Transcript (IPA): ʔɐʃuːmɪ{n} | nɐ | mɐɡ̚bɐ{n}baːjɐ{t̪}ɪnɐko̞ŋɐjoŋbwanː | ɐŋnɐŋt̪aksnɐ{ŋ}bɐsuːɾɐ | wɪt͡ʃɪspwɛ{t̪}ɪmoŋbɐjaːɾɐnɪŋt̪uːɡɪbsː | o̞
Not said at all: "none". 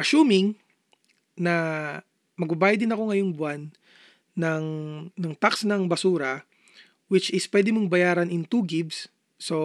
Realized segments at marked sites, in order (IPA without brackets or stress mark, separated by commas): ŋ, none, d̪, ŋ, d̪